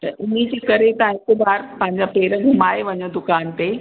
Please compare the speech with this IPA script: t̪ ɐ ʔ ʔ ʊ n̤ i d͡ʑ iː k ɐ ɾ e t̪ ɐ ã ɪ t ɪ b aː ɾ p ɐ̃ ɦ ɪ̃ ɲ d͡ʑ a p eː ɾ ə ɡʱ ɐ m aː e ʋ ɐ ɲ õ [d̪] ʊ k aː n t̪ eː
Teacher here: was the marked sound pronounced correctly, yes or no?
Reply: yes